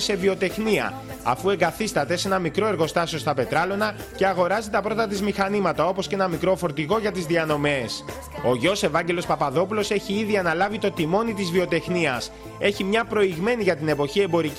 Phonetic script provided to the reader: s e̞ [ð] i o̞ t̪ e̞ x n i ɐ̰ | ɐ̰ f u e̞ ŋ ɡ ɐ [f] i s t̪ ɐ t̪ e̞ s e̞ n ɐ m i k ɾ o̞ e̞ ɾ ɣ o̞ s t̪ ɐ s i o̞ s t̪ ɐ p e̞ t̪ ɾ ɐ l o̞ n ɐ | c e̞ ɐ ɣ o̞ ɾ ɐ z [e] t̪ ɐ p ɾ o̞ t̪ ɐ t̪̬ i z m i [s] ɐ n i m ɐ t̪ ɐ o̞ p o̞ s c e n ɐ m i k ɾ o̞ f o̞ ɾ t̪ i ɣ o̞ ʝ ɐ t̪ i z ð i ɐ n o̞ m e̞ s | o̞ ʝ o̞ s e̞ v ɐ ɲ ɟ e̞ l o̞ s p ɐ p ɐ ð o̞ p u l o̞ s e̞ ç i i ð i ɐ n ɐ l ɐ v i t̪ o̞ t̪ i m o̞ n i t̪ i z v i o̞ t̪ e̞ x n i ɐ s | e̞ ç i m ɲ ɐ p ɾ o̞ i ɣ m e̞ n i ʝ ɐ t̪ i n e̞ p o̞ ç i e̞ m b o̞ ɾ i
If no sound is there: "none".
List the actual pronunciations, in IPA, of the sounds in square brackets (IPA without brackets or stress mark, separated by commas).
v, θ, i, x